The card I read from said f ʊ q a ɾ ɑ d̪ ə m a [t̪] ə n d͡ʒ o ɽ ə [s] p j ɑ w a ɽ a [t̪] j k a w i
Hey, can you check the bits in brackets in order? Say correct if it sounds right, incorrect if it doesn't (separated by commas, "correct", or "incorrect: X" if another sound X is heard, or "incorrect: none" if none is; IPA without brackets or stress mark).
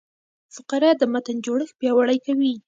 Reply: correct, incorrect: x, incorrect: none